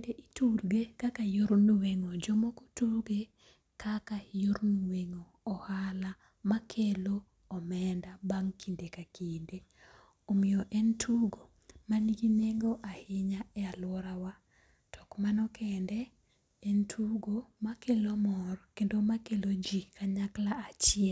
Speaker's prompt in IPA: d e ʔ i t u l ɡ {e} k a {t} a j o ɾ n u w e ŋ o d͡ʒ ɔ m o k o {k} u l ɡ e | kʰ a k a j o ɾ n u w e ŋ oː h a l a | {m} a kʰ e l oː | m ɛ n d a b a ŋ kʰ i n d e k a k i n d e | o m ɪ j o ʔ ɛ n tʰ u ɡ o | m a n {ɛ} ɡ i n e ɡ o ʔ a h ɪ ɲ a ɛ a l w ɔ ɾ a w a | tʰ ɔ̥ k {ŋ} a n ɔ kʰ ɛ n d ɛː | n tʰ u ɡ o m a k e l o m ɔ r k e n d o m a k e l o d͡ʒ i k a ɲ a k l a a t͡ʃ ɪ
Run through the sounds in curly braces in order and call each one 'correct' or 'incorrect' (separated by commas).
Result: correct, incorrect, incorrect, correct, incorrect, incorrect